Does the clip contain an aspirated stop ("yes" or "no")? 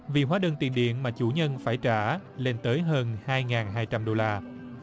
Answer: no